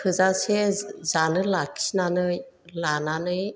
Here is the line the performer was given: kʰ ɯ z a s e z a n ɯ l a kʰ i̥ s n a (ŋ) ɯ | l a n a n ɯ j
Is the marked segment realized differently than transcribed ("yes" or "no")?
yes